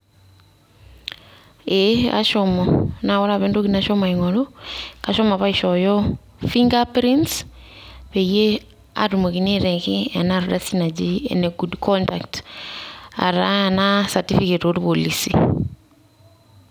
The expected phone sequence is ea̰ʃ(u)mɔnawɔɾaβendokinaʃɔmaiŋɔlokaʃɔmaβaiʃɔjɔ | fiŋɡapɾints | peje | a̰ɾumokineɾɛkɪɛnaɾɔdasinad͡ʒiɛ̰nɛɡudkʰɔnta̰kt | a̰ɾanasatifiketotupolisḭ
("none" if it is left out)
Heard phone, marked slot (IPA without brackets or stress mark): ɔ